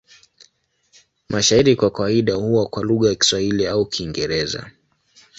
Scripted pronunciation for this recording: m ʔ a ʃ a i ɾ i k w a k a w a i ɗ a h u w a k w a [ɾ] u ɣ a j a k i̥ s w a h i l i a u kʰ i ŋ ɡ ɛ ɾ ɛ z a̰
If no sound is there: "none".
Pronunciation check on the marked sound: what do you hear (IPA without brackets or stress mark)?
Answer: l